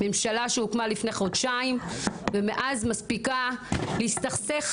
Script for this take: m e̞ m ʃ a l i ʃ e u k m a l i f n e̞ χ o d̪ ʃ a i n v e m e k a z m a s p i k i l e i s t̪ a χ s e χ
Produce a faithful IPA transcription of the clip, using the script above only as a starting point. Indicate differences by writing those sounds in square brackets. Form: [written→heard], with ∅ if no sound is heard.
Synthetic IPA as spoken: m e̞ m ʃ a l [i→a] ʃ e u k m a l i f n e̞ χ o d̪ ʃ a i [n→m] v e m e [k→ʔ] a z m a s p i k [i→a] l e i s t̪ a χ s e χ